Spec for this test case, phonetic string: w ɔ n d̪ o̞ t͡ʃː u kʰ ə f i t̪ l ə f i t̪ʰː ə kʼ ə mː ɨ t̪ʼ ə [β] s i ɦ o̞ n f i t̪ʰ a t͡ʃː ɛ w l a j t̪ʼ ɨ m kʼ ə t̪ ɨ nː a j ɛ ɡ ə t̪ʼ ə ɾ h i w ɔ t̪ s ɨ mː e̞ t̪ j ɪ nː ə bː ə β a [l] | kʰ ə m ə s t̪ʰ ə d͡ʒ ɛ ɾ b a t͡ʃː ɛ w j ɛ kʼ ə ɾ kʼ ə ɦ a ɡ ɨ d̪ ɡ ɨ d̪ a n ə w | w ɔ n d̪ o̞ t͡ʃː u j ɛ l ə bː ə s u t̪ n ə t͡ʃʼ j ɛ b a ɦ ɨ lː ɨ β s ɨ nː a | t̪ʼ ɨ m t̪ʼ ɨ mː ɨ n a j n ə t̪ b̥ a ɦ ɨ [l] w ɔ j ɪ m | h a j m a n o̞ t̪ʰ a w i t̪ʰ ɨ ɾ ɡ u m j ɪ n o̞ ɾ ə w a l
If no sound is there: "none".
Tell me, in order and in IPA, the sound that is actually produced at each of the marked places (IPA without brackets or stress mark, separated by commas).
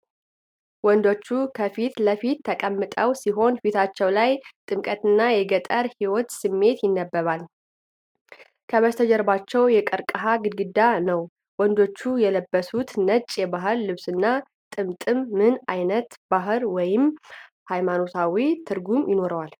w, l, ɾ